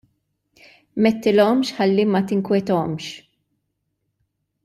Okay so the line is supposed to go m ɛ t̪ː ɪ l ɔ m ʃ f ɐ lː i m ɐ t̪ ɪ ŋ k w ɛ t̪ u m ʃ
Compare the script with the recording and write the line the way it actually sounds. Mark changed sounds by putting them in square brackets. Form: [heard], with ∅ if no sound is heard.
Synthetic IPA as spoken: m ɛ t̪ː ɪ l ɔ m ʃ [ħ] ɐ lː i m ɐ t̪ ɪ ŋ k w ɛ t̪ [ɔ] m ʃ